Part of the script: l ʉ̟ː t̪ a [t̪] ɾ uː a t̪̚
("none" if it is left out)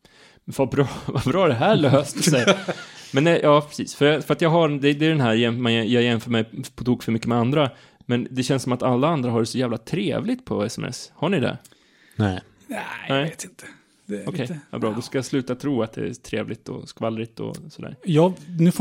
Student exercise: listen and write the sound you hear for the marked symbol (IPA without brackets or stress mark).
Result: t̪ʰ